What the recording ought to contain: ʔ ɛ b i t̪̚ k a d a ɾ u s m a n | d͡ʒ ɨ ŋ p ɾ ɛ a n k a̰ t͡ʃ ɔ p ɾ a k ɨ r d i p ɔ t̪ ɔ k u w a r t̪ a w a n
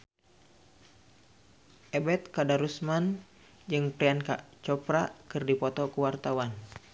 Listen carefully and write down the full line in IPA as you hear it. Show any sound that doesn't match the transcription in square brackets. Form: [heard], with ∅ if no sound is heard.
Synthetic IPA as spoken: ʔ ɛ b [ɛ] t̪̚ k a d a ɾ u s m a n | d͡ʒ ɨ ŋ p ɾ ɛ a n k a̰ t͡ʃ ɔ p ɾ a k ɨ r d i p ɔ t̪ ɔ k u w a r t̪ a w a n